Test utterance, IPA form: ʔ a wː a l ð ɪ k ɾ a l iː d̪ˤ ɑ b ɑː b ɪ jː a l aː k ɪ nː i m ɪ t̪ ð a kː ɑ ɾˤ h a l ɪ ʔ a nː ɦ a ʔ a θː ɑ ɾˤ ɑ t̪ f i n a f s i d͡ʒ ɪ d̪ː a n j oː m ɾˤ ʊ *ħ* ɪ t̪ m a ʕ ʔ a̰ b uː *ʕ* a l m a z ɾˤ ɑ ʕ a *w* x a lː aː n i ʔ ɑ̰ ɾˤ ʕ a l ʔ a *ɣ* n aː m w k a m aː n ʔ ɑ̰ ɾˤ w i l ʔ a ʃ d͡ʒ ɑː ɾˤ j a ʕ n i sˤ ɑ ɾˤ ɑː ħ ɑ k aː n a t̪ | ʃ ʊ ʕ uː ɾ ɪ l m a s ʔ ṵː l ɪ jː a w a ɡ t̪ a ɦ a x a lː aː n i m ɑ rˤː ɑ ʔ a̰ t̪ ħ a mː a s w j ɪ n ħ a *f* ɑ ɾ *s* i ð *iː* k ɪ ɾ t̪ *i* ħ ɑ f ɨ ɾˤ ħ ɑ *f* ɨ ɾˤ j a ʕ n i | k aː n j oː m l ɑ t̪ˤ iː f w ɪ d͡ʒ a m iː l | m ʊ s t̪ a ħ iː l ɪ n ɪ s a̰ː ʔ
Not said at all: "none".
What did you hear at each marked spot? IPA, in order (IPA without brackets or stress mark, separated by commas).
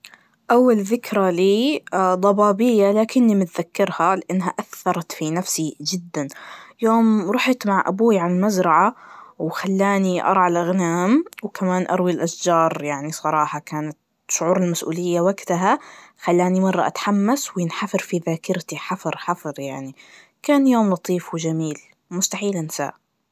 ħ, ʕ, w, ɣ, f, f, aː, i, f